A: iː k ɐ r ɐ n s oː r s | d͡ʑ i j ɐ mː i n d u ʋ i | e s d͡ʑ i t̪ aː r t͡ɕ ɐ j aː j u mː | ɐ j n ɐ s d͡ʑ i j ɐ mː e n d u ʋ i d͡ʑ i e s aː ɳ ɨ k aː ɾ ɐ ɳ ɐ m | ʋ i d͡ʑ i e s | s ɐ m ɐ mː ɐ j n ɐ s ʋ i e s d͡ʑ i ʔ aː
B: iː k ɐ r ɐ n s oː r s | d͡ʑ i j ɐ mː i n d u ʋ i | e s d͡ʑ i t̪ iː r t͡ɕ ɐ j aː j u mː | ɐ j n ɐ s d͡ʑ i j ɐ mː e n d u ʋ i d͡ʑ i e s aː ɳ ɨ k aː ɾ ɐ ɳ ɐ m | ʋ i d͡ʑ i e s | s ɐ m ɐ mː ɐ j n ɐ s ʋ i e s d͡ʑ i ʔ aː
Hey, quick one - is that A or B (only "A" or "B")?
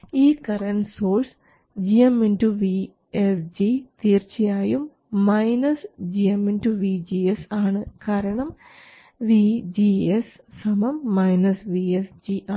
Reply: B